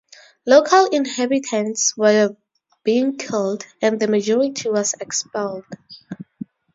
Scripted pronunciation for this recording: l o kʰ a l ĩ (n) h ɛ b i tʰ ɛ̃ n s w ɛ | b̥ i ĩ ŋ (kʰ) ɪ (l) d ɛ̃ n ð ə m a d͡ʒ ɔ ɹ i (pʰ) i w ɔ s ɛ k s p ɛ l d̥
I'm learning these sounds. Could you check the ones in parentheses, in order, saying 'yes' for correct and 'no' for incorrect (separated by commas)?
yes, yes, yes, no